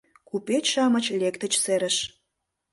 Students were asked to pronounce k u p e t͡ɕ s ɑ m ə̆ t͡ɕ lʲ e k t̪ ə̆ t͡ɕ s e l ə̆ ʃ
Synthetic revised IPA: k u p e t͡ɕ ʃ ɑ m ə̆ t͡ɕ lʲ e k t̪ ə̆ t͡ɕ s e ɾ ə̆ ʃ